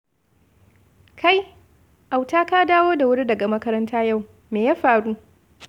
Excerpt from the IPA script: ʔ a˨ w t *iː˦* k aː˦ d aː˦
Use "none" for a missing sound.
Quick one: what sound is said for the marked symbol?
aː˦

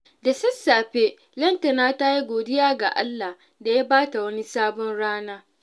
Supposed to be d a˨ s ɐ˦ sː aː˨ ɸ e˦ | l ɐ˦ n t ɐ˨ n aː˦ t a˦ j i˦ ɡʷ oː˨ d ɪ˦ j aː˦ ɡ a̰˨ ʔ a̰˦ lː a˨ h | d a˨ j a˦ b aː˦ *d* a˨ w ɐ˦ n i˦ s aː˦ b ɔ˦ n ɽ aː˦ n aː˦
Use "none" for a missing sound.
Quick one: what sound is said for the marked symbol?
t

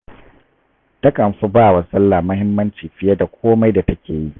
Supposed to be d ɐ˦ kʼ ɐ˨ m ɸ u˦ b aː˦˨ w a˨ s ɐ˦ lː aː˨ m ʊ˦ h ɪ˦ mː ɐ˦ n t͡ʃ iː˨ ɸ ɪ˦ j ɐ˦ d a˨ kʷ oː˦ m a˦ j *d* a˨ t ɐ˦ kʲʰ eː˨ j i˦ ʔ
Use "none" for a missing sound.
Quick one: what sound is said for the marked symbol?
d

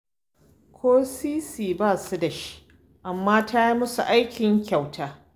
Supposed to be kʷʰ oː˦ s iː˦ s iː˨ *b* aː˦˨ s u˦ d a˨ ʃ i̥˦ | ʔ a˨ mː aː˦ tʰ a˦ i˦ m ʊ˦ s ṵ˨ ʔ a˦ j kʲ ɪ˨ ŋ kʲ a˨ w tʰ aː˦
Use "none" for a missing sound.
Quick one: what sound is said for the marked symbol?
b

